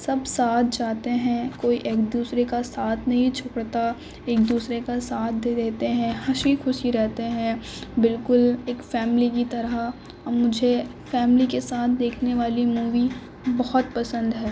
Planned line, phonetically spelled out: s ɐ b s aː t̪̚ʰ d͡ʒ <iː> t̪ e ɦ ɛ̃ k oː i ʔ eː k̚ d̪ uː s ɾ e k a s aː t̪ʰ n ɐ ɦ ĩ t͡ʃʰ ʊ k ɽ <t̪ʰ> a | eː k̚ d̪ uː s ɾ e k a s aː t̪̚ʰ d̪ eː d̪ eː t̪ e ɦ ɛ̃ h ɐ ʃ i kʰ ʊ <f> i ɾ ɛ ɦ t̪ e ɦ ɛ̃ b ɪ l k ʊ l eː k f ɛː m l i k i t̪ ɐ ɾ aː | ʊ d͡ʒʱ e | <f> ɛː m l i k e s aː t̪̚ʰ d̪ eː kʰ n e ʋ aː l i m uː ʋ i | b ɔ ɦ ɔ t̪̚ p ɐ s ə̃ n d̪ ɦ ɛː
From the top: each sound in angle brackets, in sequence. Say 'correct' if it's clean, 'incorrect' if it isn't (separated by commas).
incorrect, incorrect, incorrect, correct